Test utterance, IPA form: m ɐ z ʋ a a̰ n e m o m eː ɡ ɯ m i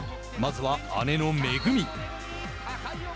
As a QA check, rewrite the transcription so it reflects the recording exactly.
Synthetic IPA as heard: m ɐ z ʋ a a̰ n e n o m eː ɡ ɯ m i

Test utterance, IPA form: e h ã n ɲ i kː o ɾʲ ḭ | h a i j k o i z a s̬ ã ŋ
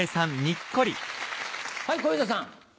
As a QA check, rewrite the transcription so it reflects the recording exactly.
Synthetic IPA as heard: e s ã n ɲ i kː o ɾʲ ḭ | h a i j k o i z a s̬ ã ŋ

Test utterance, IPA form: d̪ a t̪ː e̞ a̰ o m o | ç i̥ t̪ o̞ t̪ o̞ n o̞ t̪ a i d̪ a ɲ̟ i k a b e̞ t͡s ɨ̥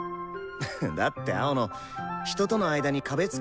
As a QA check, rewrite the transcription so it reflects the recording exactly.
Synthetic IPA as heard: d̪ a t̪ː e̞ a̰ o n o | ç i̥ t̪ o̞ t̪ o̞ n o̞ a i d̪ a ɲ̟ i k a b e̞ t͡s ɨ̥

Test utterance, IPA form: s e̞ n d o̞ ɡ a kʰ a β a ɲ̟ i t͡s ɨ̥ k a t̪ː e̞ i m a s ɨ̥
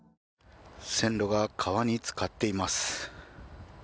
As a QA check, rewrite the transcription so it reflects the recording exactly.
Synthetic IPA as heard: s ẽ̞ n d o̞ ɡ a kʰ a β a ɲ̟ i t͡s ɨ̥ k a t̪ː e̞ i m a s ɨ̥

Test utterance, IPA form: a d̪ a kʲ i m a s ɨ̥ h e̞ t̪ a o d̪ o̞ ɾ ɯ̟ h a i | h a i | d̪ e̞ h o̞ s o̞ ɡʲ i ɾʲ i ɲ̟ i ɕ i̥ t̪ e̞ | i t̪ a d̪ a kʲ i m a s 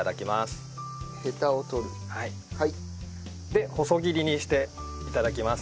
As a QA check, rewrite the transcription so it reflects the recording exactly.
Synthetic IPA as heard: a d̪ a kʲ i m a s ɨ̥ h e̞ t̪ a o t̪ o̞ ɾ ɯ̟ h a i | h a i | d̪ e̞ h o̞ s o̞ ɡʲ i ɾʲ i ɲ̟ i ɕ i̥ t̪ e̞ | i t̪ a d̪ a kʲ i m a s

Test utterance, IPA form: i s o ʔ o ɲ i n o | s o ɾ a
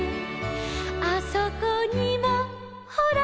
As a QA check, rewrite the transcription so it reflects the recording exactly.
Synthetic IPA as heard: a s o k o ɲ i m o | h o ɾ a

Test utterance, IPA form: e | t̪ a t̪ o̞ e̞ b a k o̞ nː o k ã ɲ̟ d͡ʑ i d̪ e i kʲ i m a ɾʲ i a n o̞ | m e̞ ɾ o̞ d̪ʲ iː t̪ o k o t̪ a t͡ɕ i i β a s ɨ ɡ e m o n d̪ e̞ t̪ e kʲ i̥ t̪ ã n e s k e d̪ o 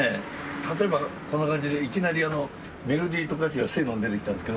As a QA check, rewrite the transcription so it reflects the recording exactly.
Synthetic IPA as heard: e | t̪ a t̪ o̞ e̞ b a k o̞ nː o k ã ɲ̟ d͡ʑ i d̪ e i kʲ i n a ɾʲ i a n o̞ | m e̞ ɾ o̞ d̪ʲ iː t̪ o k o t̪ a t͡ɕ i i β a s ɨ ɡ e n o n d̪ e̞ t̪ e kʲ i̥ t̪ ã n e s k e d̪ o

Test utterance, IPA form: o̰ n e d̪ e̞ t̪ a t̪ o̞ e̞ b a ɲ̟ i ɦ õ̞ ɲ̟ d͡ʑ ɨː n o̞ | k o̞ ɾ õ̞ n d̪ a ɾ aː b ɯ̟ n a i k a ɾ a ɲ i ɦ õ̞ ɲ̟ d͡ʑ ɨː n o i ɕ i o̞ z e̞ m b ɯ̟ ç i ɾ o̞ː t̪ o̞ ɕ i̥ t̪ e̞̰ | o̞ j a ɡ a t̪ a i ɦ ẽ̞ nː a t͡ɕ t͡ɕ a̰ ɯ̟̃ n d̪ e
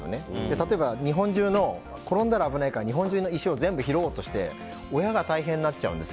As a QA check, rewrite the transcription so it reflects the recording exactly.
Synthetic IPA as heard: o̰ n e d̪ e̞ t̪ a t̪ o̞ e̞ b a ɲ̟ i ɦ õ̞ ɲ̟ d͡ʑ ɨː n o̞ | k o̞ ɾ õ̞ n d̪ a ɾ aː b ɯ̟ n a i k a ɾ a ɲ i ɦ õ̞ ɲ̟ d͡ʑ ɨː n o i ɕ i o̞ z ẽ̞ m b ɯ̟ ç i ɾ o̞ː t̪ o̞ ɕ i̥ t̪ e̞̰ | o̞ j a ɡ a t̪ a i ɦ ẽ̞ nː a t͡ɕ t͡ɕ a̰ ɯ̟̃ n d̪ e

